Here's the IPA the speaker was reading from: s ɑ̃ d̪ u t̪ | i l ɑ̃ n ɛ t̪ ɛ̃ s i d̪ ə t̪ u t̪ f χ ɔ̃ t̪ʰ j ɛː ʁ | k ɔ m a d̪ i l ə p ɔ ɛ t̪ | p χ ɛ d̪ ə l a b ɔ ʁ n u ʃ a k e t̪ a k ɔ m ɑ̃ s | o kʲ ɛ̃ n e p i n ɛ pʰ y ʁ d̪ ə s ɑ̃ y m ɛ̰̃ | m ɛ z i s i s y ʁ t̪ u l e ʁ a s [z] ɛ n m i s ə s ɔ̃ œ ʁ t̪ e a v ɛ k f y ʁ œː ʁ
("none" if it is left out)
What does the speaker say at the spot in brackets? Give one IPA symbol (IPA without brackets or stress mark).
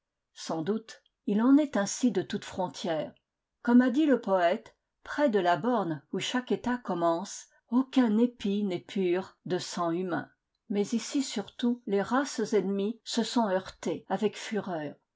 z